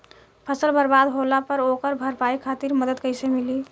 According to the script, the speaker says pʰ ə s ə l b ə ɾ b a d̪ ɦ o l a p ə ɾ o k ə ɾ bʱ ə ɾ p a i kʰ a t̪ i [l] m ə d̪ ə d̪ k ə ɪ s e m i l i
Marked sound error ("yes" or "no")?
yes